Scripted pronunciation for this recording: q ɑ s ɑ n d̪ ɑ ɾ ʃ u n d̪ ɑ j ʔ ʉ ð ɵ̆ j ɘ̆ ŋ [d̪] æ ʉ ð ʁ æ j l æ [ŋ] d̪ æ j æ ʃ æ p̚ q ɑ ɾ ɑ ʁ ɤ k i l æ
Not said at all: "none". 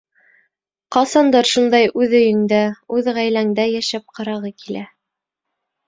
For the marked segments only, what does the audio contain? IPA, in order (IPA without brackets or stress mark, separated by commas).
d̪, ŋ